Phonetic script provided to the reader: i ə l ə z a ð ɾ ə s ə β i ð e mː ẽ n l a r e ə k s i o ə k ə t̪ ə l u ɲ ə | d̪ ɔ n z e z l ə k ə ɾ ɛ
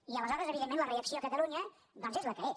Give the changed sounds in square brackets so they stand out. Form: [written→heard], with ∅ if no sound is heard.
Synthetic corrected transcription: i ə l ə z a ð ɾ ə [s→z] ə β i ð e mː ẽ n l [a→ə] r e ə k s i o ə k ə t̪ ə l u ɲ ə | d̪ ɔ n z e z l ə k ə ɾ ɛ